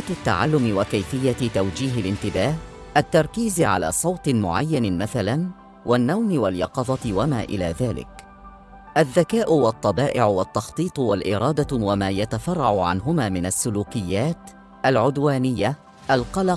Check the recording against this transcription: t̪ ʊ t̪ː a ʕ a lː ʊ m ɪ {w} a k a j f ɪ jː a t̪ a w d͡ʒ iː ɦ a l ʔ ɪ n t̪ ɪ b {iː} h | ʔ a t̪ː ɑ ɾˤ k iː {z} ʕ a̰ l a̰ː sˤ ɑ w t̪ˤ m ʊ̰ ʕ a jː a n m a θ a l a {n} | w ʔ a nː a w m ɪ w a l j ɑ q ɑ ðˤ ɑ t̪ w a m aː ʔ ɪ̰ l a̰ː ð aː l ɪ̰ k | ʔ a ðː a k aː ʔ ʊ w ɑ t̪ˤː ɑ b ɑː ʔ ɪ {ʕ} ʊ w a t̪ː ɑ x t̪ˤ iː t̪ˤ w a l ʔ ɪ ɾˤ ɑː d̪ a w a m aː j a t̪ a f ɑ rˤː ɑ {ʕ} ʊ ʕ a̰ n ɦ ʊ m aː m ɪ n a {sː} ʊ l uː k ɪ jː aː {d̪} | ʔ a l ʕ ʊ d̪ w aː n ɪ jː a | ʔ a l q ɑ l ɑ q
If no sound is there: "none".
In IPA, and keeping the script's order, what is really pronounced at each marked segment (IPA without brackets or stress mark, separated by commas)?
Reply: w, aː, z, n, ʕ, ʕ, sː, t̪